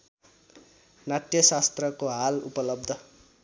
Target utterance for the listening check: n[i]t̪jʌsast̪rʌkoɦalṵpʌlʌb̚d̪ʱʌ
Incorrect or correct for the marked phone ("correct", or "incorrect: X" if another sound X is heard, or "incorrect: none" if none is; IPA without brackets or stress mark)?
incorrect: a